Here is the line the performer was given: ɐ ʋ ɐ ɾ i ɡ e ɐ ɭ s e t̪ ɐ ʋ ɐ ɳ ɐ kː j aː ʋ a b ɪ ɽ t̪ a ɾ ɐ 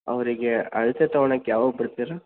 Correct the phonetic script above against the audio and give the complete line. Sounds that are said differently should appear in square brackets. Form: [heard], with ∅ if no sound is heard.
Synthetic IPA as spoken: ɐ ʋ ɐ ɾ i ɡ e ɐ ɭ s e t̪ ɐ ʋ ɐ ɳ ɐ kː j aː ʋ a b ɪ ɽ t̪ [i] ɾ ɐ